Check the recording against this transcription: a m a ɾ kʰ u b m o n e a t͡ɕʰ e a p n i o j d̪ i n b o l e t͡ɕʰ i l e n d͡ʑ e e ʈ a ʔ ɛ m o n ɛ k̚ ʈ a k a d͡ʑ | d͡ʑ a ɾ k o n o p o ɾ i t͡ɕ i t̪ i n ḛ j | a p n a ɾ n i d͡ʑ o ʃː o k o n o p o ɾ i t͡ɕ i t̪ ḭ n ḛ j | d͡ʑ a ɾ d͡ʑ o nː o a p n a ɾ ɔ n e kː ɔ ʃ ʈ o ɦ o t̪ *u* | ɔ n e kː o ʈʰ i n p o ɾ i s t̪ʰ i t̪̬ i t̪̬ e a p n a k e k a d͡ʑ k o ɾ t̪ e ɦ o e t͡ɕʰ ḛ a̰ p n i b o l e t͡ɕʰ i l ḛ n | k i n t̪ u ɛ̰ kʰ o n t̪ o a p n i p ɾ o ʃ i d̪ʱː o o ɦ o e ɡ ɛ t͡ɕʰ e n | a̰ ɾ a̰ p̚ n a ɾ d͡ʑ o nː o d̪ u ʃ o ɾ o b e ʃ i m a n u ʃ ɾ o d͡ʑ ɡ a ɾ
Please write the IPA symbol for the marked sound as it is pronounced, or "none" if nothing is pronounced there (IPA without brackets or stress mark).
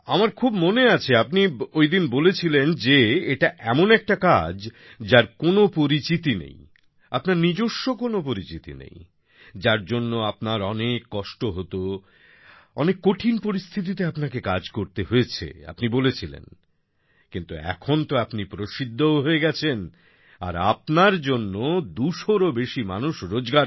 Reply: o